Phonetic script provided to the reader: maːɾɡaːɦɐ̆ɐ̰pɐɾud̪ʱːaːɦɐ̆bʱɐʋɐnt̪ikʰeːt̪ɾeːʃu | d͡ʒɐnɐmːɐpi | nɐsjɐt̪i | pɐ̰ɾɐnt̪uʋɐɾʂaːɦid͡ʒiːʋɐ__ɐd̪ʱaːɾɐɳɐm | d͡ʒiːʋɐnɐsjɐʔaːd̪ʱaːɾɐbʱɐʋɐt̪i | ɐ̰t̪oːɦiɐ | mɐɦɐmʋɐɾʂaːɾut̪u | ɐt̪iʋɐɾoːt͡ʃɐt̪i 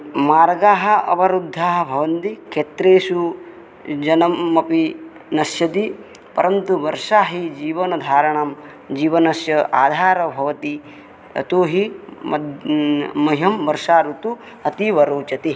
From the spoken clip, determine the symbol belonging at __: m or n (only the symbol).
n